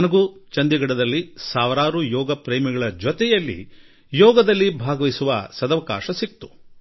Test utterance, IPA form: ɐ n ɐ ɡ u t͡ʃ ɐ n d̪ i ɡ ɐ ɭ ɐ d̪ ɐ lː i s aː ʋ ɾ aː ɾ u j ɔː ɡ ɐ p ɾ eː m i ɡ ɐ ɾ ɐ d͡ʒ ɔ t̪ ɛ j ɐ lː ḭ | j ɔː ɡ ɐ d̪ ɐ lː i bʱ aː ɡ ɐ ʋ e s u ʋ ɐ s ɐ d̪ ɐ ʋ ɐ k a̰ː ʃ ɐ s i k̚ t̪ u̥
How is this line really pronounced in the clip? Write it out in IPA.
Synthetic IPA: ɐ n ɐ ɡ u t͡ʃ ɐ n d̪ i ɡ ɐ ɽ ɐ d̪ ɐ lː i s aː ʋ ɾ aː ɾ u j ɔː ɡ ɐ p ɾ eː m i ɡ ɐ ɭ ɐ d͡ʒ ɔ t̪ ɛ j ɐ lː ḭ | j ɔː ɡ ɐ d̪ ɐ lː i bʱ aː ɡ ɐ ʋ i s u ʋ ɐ s ɐ d̪ ɐ ʋ ɐ k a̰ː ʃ ɐ s i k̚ t̪ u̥